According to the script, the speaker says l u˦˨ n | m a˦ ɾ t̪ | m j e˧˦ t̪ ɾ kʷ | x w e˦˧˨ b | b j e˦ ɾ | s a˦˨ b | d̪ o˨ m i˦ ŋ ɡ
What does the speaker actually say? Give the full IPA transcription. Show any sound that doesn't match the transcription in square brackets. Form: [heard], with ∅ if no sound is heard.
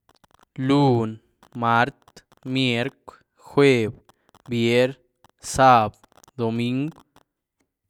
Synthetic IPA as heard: l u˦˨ n | m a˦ ɾ t̪ | m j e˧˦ [∅] ɾ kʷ | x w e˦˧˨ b | b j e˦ ɾ | s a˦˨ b | d̪ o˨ m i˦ ŋ ɡ